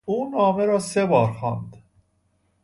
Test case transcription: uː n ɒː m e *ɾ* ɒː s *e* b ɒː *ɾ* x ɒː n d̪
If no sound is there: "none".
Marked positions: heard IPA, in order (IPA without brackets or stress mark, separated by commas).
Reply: ɾ, e, ɾ